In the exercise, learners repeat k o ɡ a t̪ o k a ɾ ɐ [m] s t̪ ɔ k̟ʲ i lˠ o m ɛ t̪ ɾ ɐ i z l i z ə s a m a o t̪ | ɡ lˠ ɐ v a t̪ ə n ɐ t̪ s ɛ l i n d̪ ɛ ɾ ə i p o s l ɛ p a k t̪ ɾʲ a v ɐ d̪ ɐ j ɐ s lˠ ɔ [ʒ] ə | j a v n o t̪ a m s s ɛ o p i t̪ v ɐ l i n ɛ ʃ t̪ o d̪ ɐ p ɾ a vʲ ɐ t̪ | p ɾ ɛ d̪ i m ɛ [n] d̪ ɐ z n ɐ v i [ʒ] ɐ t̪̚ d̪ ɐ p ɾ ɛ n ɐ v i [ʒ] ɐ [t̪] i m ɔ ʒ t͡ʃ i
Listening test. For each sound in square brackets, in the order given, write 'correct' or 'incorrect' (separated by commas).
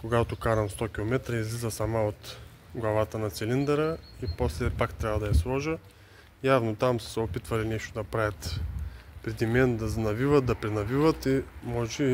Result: correct, correct, correct, incorrect, incorrect, correct